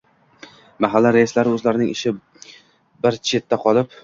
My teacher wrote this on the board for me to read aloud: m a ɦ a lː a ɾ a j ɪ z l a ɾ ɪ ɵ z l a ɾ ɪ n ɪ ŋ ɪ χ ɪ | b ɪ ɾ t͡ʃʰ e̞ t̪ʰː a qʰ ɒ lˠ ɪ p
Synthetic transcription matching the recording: m a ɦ a lː a ɾ a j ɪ s l a ɾ ɪ ɵ z l a ɾ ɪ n ɪ ŋ ɪ ʃ ɪ | b ɪ ɾ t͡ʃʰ e̞ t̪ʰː a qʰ ɒ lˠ ɪ p